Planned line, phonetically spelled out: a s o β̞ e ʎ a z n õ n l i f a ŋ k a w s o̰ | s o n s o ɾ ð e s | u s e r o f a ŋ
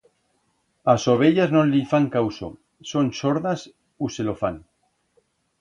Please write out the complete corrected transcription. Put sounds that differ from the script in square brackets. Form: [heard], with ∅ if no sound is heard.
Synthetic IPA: a s o β̞ e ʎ a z n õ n l i f a ŋ k a w s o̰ | s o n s o ɾ ð [a] s | u s e [l] o f a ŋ